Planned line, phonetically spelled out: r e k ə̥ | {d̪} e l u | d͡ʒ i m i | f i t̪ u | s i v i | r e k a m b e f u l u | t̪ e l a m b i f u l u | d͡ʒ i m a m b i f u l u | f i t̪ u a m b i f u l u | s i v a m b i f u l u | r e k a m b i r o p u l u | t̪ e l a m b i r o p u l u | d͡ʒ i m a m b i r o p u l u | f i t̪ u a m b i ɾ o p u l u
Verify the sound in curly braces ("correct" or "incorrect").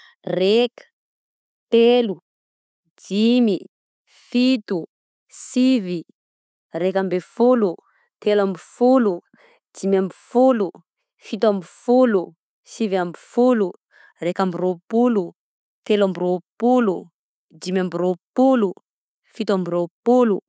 incorrect